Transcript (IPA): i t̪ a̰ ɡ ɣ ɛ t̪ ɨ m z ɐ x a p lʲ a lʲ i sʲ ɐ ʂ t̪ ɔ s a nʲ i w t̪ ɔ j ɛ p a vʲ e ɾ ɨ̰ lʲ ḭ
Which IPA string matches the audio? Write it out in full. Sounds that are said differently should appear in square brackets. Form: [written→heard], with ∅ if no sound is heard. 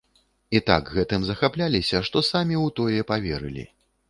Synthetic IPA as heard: i t̪ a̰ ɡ ɣ ɛ t̪ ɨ m z ɐ x a p lʲ a lʲ i sʲ ɐ ʂ t̪ ɔ s a [nʲ→mʲ] i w t̪ ɔ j ɛ p a vʲ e ɾ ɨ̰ lʲ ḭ